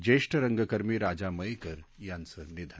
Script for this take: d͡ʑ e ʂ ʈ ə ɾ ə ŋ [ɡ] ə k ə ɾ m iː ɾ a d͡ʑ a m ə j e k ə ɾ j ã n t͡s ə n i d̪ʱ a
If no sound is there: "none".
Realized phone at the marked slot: ɡ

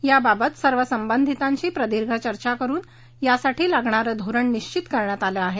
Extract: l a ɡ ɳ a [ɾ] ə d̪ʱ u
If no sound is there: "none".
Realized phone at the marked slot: ɾ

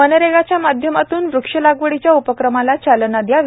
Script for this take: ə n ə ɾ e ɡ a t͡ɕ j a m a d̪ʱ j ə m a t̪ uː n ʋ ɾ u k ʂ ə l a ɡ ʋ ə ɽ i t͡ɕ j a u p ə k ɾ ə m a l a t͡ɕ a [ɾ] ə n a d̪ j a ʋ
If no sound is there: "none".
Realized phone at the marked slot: l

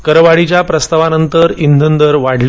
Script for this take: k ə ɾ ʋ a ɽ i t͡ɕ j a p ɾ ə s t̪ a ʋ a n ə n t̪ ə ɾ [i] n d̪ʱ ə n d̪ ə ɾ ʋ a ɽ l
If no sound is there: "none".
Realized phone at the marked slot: i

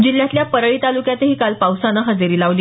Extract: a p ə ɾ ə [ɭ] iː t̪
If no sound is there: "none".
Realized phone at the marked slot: ɭ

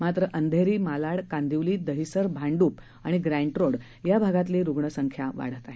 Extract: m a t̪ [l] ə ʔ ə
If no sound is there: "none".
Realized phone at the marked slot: ɾ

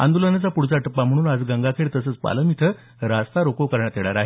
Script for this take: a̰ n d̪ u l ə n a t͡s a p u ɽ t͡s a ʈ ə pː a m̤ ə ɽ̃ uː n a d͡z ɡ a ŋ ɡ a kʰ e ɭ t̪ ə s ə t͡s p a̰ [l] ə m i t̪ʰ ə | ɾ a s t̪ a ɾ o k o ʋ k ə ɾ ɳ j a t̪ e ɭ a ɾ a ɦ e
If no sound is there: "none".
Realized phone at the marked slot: l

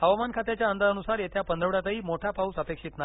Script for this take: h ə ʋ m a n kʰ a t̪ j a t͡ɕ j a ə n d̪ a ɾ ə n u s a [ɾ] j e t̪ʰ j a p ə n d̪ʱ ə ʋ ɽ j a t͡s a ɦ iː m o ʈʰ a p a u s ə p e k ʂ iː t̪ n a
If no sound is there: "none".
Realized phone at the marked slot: ɾ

